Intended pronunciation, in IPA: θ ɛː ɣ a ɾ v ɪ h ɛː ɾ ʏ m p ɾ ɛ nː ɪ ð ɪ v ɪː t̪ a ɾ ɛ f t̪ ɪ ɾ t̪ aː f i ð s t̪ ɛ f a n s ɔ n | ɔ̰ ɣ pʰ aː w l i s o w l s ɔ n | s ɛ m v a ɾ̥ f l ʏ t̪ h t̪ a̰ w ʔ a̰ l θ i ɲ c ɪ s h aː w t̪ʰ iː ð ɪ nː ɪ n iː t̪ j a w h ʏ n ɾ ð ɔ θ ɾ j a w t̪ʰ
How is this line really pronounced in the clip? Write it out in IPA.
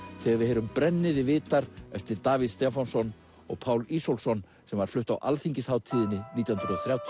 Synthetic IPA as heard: θ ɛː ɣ a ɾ v ɪ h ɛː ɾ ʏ m p ɾ ɛ nː ɪ ð ɪ v ɪː t̪ a ɾ ɛ f t̪ ɪ ɾ t̪ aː v i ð s t̪ ɛ f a n s ɔ n | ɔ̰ ɣ pʰ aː w l i s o w l s ɔ n | s ɛ m v a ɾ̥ f l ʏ h t̪ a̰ w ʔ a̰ l θ i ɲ c ɪ s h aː w t̪ʰ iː ð ɪ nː ɪ n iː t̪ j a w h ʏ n ɾ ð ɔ θ ɾ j a w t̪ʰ